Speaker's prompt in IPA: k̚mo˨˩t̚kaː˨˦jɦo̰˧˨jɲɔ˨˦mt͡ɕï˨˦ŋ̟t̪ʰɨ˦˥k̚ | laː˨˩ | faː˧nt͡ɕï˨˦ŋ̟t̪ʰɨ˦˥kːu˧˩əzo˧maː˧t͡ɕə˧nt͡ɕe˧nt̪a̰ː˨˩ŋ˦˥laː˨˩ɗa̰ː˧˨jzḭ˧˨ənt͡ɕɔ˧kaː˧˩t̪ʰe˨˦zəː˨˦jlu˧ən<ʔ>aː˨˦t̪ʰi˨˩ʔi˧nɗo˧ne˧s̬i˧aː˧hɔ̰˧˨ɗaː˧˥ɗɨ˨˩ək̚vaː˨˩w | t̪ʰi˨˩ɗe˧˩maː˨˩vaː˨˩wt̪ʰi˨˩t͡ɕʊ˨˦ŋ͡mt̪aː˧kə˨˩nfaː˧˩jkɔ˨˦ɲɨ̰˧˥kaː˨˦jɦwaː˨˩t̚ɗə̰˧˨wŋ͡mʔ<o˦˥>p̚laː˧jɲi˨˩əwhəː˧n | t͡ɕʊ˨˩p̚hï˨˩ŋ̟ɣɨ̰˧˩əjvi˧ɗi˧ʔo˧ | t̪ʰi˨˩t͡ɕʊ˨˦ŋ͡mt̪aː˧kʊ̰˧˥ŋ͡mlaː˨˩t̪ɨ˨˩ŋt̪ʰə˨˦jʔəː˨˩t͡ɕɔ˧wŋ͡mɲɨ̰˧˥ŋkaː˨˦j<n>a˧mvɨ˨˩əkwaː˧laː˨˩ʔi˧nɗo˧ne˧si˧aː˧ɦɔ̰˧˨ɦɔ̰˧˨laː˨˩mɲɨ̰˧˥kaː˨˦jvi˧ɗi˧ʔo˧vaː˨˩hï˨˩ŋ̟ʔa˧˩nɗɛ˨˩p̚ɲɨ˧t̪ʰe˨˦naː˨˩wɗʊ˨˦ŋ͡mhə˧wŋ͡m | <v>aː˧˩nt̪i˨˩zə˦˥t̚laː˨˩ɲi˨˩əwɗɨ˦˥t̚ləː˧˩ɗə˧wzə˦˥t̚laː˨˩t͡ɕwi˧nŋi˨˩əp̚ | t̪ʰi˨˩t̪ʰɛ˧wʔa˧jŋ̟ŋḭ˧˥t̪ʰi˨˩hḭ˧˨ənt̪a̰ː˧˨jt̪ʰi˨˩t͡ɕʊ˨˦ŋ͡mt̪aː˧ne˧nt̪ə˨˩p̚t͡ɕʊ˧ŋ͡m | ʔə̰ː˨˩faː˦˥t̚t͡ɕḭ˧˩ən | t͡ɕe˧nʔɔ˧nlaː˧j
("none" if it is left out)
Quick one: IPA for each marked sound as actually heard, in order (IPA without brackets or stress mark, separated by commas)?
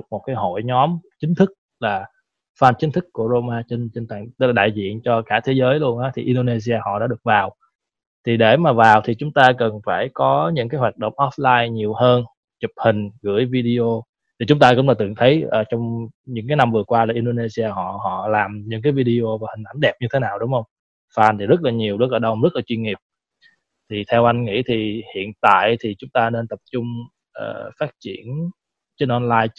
ʔ, ɔ˦˥, n, f